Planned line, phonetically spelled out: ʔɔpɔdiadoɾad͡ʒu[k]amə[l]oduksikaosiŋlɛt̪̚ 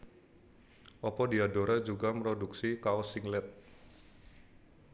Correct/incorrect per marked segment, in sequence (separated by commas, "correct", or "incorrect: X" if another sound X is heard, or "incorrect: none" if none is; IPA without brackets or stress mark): incorrect: ɡ, incorrect: ɾ